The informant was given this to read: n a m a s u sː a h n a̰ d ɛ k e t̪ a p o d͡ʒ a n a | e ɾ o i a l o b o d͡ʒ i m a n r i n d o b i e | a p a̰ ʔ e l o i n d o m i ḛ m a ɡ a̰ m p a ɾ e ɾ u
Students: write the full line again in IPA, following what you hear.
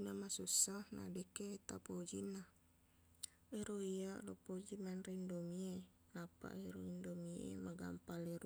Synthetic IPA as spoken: n a m a s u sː a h n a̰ d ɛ k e t̪ a p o d͡ʒ i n a | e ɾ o i a l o p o d͡ʒ i m a n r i n d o m i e | a p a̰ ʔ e ɾ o i n d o m i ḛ m a ɡ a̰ m p a l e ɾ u